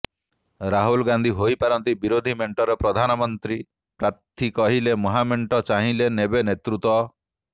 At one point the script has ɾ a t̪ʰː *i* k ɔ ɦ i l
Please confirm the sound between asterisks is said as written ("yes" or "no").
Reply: yes